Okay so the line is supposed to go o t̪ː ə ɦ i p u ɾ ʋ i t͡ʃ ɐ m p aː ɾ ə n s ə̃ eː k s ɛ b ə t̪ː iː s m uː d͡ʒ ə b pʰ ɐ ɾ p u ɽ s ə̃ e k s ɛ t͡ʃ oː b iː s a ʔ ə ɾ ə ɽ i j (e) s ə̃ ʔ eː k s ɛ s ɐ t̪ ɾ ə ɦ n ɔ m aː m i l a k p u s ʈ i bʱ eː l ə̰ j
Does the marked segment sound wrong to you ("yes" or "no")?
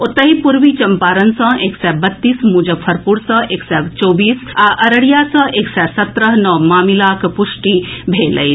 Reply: yes